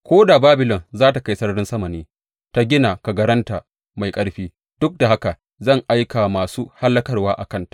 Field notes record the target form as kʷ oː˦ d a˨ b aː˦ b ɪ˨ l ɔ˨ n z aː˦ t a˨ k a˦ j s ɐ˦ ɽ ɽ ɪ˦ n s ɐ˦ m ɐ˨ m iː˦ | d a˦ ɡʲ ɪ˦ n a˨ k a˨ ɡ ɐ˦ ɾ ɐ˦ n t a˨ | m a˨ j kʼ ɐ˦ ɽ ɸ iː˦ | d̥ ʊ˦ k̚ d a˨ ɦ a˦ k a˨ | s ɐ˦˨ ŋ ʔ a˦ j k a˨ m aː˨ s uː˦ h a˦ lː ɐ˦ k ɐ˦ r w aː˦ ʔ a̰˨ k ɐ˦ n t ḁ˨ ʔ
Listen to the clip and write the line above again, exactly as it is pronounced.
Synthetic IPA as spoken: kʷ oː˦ d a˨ b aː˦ b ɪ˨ l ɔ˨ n z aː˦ t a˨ k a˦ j s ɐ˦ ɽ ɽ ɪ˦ n s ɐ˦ m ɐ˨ n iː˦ | t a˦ ɡʲ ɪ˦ n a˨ k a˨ ɡ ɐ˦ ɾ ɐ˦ n t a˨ | m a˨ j kʼ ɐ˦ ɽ ɸ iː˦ | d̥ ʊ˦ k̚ d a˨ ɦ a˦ k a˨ | z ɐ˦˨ ŋ ʔ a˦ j k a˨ m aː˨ s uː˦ h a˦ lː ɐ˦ k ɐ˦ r w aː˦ ʔ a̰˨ k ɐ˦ n t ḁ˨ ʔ